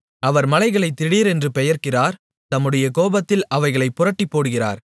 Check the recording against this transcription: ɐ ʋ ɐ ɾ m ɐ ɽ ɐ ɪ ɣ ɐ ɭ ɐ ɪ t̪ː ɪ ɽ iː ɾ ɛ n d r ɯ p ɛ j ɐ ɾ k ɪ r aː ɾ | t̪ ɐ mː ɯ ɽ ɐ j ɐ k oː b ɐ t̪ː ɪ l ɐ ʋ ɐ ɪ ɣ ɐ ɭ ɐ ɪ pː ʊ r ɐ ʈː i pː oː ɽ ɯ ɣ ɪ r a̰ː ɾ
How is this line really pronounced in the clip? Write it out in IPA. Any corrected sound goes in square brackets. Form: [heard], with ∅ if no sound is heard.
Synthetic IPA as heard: ɐ ʋ ɐ ɾ m ɐ [l] ɐ ɪ ɣ ɐ ɭ ɐ ɪ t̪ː ɪ ɽ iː ɾ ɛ n d r ɯ p ɛ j ɐ ɾ k ɪ r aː ɾ | t̪ ɐ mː ɯ ɽ ɐ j ɐ k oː b ɐ t̪ː ɪ l ɐ ʋ ɐ ɪ ɣ ɐ ɭ ɐ ɪ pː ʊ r ɐ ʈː i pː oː ɽ ɯ ɣ ɪ r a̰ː ɾ